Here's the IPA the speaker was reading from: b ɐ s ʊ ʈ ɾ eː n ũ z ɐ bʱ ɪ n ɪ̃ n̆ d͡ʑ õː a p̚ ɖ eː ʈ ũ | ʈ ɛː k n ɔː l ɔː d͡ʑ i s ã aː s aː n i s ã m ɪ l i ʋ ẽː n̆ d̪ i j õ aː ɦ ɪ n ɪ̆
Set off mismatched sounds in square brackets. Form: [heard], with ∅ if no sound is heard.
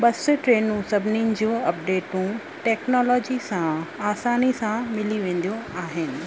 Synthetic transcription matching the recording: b ɐ s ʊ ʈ ɾ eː n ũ [s] ɐ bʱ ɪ n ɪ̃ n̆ d͡ʑ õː [ɐ] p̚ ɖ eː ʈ ũ | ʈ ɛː k n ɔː l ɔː d͡ʑ i s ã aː s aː n i s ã m ɪ l i ʋ ẽː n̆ d̪ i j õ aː ɦ ɪ n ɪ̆

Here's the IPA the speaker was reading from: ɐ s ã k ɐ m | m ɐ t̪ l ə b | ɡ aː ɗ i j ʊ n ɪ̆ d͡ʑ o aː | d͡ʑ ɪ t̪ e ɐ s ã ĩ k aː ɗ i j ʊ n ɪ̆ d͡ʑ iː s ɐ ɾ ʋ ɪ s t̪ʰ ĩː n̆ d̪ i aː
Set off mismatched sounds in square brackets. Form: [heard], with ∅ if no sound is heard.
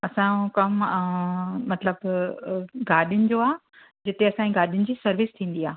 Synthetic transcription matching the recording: ɐ s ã k ɐ m | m ɐ t̪ l ə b | ɡ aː ɗ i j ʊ n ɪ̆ d͡ʑ o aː | d͡ʑ ɪ t̪ e ɐ s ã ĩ [ɡ] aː ɗ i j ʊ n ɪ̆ d͡ʑ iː s ɐ ɾ ʋ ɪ s t̪ʰ ĩː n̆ d̪ i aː

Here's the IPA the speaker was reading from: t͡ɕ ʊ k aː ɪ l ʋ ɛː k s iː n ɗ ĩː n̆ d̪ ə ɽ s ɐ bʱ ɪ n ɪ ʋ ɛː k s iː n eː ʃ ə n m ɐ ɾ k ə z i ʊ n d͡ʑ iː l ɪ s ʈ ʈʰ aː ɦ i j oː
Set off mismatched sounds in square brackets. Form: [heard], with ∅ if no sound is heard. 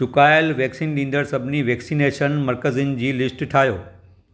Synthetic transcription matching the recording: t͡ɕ ʊ k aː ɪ l ʋ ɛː k s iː n ɗ ĩː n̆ d̪ ə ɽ s ɐ bʱ ɪ n [i] ʋ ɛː k s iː n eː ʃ ə n m ɐ ɾ k ə z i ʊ n d͡ʑ iː l ɪ s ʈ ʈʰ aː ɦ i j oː

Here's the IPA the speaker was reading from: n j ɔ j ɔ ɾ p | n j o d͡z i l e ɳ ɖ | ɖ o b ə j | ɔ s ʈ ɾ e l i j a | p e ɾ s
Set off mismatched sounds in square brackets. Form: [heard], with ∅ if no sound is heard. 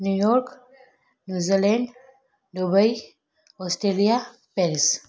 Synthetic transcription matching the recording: n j [u] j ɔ ɾ [k] | n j [u] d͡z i l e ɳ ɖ | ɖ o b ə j | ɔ s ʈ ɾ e l i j a | p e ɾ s

